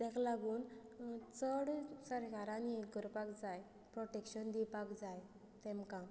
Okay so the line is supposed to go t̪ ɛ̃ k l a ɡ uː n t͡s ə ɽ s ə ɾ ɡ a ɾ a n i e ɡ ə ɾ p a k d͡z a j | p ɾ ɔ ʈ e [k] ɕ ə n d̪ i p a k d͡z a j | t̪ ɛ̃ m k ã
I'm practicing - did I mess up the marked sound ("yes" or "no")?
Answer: no